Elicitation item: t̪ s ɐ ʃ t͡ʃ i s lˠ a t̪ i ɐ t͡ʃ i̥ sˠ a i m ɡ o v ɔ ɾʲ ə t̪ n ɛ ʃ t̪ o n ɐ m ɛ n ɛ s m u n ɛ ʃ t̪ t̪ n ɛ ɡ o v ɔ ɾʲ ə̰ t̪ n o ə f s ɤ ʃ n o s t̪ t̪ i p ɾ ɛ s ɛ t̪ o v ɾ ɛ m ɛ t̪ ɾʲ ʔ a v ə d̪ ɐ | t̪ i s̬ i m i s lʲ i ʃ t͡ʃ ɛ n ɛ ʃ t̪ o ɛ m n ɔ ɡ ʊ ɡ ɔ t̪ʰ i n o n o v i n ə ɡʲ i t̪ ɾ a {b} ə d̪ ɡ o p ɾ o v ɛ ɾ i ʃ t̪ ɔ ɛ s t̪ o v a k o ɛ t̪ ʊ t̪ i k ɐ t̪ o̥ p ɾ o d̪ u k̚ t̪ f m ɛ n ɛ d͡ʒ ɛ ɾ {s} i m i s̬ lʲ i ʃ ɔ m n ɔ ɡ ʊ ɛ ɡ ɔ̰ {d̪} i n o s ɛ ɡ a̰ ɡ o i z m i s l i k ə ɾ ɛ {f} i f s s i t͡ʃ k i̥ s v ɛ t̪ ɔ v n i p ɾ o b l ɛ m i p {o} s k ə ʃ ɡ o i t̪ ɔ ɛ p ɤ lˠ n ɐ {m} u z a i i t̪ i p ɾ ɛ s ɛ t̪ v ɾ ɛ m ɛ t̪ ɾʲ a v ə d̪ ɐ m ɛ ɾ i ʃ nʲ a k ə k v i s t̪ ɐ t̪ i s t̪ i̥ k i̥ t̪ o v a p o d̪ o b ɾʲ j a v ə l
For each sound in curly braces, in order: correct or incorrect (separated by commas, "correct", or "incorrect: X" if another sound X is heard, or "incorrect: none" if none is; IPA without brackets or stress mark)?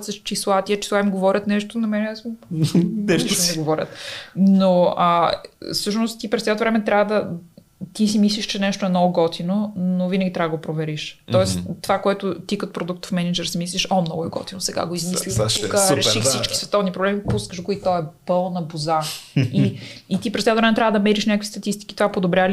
incorrect: v, correct, incorrect: t̪, incorrect: ʃ, incorrect: u, incorrect: b